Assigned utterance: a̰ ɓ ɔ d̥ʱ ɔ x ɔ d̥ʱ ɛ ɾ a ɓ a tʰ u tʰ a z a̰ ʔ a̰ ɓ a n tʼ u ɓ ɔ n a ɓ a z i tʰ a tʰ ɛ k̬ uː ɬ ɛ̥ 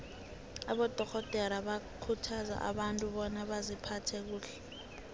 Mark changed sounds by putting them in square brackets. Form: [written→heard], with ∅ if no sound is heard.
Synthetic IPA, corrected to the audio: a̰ ɓ ɔ d̥ʱ ɔ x ɔ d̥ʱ ɛ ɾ a ɓ a [tʰ→kʰ] u tʰ a z a̰ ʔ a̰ ɓ a n tʼ u ɓ ɔ n a ɓ a z i [tʰ→pʰ] a tʰ ɛ k̬ uː ɬ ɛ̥